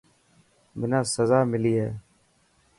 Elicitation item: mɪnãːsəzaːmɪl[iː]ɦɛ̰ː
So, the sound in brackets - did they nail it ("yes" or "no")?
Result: yes